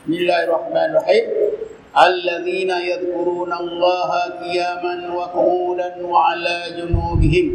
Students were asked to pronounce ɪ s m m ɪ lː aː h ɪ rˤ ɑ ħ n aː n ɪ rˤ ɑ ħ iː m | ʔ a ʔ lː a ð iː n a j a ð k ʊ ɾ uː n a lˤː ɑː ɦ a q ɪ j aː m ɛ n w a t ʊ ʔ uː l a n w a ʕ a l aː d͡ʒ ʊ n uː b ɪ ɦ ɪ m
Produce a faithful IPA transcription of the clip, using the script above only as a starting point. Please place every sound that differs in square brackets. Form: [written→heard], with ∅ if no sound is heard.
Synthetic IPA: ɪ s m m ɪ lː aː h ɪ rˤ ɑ ħ [n→m] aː n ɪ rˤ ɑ ħ iː m | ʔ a [ʔ→∅] lː a ð iː n a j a ð k ʊ ɾ uː n a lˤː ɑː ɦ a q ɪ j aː m [ɛ→a] n w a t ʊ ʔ uː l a n w a ʕ a l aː d͡ʒ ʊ n uː b ɪ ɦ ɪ m